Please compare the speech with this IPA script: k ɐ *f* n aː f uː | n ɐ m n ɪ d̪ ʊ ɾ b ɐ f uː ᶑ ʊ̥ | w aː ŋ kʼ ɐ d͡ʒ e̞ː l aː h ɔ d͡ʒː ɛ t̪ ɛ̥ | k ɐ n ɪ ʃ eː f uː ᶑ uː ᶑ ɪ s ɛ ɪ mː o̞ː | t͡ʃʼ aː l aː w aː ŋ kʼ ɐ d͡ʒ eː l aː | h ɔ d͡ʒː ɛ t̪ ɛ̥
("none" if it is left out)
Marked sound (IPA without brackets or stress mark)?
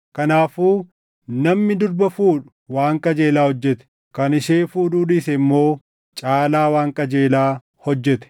none